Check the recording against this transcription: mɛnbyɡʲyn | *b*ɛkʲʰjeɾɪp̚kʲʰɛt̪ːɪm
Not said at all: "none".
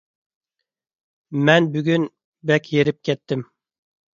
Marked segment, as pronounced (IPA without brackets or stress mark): b